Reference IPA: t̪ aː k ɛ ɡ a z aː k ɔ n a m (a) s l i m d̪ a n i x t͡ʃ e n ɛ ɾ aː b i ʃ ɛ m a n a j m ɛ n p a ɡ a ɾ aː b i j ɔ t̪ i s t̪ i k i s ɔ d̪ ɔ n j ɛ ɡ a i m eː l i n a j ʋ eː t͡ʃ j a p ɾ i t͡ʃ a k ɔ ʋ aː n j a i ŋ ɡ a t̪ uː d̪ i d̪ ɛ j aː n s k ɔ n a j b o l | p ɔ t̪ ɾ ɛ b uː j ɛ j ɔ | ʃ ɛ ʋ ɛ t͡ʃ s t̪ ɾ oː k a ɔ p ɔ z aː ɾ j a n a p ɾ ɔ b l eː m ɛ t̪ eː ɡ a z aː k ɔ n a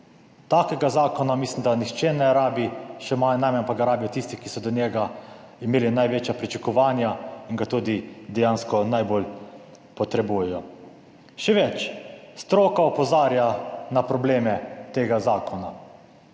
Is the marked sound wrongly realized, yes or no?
yes